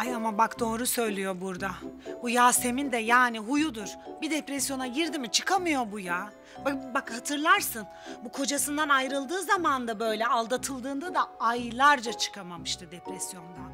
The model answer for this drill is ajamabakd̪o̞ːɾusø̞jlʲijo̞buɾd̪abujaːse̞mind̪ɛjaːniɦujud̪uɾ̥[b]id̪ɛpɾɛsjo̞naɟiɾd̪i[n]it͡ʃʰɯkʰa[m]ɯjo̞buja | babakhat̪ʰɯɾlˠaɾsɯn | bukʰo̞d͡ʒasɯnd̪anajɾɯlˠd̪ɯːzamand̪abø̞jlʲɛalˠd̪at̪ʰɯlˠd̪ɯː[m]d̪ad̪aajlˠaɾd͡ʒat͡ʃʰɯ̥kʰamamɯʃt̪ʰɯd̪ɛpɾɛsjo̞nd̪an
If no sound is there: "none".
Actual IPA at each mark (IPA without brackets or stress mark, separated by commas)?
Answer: b, m, m, n